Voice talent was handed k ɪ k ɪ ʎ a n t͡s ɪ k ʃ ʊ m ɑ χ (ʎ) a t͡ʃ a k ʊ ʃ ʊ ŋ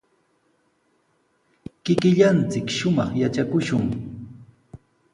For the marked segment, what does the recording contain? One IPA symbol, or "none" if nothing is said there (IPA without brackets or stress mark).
j